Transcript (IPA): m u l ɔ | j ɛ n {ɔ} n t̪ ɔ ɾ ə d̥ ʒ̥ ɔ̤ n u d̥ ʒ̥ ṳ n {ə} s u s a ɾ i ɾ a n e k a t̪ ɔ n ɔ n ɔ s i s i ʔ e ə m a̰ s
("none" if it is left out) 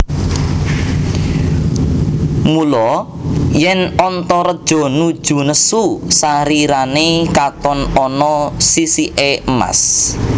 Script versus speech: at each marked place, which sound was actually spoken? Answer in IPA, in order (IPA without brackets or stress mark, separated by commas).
ɔ, ə